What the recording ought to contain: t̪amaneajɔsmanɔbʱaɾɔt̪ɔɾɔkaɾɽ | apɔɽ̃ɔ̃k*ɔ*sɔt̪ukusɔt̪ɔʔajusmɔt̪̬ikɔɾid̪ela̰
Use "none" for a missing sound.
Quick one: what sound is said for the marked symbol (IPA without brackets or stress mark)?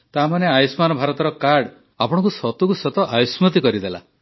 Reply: u